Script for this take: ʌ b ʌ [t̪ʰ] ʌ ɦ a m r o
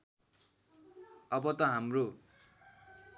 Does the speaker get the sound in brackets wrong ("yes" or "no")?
yes